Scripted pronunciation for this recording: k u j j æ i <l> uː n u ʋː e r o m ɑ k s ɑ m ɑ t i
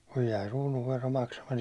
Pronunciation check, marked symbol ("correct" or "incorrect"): incorrect